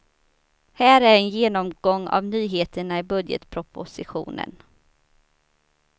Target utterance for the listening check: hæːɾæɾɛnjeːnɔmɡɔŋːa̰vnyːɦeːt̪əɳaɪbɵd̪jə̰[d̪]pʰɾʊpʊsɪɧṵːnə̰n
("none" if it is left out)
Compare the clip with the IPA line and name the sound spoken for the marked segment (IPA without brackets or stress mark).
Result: t̪